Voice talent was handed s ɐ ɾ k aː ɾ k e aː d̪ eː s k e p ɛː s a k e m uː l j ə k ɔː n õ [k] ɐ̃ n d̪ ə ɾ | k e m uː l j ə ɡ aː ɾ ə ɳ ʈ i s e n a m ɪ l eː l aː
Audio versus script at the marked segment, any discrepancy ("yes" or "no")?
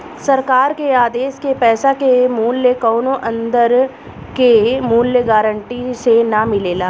yes